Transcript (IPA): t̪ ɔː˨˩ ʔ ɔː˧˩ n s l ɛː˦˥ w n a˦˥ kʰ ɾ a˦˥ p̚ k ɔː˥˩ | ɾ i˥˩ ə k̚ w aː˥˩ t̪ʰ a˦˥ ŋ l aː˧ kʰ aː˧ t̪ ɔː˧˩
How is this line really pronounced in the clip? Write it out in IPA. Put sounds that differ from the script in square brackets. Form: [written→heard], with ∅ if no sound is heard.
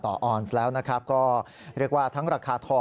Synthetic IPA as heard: t̪ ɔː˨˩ ʔ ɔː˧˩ n s l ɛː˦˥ w n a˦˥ kʰ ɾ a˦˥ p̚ k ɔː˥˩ | ɾ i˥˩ ə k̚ w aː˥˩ t̪ʰ a˦˥ ŋ [l→ɾ] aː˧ kʰ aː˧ [t̪→t̪ʰ] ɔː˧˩